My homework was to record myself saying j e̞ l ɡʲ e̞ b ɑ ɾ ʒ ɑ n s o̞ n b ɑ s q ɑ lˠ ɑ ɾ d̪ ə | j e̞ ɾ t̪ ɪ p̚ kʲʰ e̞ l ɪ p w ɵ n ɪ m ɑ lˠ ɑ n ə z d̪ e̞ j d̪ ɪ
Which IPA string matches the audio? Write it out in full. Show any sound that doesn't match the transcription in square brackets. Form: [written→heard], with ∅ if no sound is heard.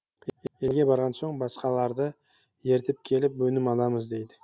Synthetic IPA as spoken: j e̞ l ɡʲ e̞ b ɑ ɾ [ʒ→ʁ] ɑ n s o̞ [n→ɴ] b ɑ s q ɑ lˠ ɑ ɾ d̪ ə | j e̞ ɾ t̪ ɪ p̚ kʲʰ e̞ l ɪ p w ɵ n ɪ m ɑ lˠ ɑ [n→m] ə z d̪ e̞ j d̪ ɪ